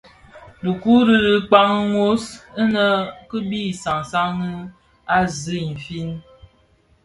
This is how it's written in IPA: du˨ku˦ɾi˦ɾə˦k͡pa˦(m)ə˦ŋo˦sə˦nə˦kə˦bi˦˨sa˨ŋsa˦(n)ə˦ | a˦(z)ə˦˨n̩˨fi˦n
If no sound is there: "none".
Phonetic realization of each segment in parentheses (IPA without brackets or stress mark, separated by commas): ŋ, ŋ, z